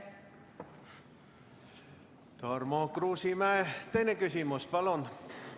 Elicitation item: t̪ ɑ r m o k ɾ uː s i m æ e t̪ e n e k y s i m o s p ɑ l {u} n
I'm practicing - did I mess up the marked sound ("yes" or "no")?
yes